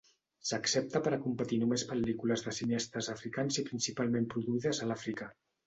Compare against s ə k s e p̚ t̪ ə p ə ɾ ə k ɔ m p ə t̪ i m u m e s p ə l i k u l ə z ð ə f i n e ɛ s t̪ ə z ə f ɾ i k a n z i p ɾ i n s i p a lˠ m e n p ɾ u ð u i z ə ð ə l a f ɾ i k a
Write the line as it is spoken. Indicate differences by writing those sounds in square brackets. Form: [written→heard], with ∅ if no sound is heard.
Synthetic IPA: s ə k s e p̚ t̪ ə p ə ɾ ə k [ɔ→u] m p ə t̪ i [m→n] u m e s p ə l i k u l ə z ð ə [f→s] i n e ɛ s t̪ ə z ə f ɾ i k a n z i p ɾ i n s i p a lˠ m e [n→m] p ɾ u ð u i [z→ð] ə [ð→z] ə l a f ɾ i k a